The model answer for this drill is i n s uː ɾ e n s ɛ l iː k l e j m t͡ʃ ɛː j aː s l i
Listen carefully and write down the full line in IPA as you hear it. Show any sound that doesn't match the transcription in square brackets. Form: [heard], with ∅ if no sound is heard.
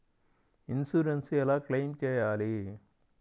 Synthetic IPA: i n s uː ɾ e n s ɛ l [aː] k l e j m t͡ʃ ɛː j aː [∅] l i